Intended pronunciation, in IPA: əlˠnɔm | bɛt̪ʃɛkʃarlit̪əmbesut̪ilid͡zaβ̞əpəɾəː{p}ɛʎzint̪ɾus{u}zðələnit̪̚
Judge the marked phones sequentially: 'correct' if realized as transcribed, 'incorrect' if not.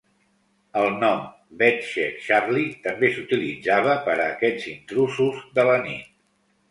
incorrect, correct

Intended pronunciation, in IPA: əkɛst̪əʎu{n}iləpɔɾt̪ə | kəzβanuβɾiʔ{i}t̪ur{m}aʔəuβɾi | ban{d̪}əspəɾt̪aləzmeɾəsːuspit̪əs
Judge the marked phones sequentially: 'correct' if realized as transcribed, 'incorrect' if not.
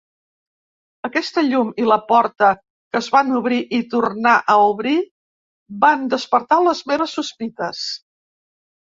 incorrect, correct, incorrect, correct

